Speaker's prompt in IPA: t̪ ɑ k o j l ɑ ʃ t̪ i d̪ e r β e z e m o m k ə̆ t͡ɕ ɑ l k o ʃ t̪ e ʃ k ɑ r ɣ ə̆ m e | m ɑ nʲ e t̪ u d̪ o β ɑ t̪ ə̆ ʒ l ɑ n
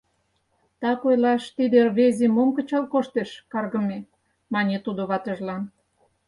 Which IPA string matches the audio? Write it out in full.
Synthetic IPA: t̪ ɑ k o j l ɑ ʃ t̪ i d̪ e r β e z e m o m k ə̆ t͡ɕ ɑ l k o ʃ t̪ e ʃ k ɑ r ɣ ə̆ m e | m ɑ nʲ e t̪ u d̪ o β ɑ t̪ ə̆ ʒ l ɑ n

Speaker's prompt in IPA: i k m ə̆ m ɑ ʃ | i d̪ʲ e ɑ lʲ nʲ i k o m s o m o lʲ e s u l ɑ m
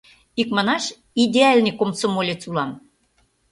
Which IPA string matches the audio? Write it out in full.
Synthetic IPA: i k m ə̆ n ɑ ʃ | i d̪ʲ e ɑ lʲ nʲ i k o m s o m o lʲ e t͡s u l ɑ m

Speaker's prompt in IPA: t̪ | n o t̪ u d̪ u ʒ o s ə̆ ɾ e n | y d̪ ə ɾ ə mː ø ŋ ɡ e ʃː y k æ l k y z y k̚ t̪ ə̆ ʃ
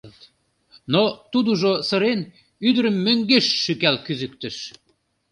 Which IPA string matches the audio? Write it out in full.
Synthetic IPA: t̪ | n o t̪ u d̪ u ʒ o s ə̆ ɾ e n | y d̪ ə ɾ ə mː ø ŋ ɡ e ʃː y k æ l k y z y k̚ t̪ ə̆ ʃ

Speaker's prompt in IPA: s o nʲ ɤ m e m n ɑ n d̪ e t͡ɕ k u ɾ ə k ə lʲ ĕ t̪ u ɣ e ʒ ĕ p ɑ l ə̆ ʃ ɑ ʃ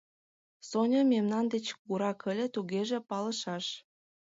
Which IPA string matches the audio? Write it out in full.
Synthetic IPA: s o nʲ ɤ m e m n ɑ n d̪ e t͡ɕ k u ɾ ɑ k ə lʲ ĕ t̪ u ɣ e ʒ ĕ p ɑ l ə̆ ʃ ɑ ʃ

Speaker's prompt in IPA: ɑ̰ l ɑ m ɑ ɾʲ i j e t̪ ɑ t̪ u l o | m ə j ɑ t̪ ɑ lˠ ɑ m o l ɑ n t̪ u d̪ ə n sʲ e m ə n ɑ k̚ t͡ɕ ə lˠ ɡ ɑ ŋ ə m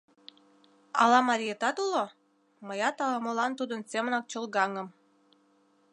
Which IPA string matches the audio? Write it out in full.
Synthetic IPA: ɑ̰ l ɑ m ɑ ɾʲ i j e t̪ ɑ t̪ u l o | m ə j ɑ t̪ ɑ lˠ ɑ m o l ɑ n t̪ u d̪ ə n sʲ e m ə n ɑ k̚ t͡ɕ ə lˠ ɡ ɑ ŋ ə m

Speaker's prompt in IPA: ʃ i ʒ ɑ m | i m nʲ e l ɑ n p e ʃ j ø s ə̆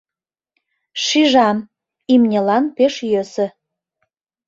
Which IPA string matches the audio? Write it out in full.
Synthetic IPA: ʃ i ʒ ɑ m | i m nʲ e l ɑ n p e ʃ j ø s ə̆

